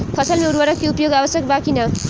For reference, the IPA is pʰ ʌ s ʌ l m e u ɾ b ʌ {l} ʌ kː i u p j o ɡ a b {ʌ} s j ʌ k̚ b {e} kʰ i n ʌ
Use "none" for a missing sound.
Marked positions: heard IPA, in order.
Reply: ɾ, ʌ, a

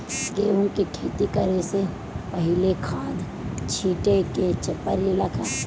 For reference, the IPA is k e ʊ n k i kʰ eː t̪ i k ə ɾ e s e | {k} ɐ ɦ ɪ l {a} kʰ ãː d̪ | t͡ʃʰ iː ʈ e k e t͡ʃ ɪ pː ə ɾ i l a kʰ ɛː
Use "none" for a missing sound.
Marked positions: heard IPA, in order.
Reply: p, e

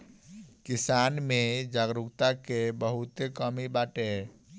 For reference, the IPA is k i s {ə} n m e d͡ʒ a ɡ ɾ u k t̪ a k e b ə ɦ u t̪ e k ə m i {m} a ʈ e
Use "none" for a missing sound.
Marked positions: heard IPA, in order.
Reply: a, b

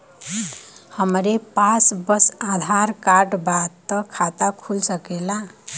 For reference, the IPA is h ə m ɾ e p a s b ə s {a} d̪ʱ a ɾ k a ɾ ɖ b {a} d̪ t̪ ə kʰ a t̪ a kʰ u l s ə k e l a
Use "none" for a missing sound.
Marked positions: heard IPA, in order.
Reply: a, a

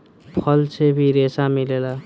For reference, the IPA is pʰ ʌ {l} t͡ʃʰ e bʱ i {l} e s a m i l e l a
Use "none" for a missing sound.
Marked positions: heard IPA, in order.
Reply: l, ɾ

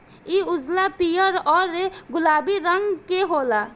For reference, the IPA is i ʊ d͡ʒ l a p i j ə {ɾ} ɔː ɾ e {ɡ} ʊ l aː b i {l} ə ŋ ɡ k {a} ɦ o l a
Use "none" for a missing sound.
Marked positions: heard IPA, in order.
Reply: ɾ, ɡ, ɾ, e

